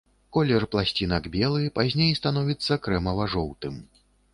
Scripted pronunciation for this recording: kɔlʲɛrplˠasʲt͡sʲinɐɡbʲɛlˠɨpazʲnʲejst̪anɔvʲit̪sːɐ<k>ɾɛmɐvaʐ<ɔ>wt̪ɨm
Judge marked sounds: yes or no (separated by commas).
yes, yes